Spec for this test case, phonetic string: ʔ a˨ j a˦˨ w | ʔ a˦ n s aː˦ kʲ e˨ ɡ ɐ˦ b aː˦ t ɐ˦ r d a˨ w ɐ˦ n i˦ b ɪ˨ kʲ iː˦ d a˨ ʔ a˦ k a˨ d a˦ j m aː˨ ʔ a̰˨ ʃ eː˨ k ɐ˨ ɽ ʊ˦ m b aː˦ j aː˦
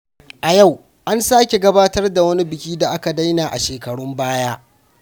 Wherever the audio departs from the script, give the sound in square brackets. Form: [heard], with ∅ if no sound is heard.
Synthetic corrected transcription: ʔ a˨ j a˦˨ w | ʔ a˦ n s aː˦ kʲ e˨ ɡ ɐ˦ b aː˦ t ɐ˦ r d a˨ w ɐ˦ n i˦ b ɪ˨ kʲ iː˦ d a˨ ʔ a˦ k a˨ d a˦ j [n] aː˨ ʔ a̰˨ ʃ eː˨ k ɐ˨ ɽ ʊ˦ m b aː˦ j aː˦